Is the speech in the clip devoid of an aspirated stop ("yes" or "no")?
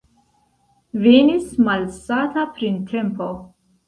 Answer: no